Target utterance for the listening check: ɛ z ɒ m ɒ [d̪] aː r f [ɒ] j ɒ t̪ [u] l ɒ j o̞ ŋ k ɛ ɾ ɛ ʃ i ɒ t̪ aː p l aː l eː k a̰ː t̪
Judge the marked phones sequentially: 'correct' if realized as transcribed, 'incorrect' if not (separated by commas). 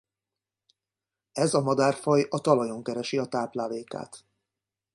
correct, correct, incorrect